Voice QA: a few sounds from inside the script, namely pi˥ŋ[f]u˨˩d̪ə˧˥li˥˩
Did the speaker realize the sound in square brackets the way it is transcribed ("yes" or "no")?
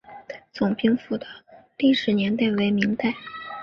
yes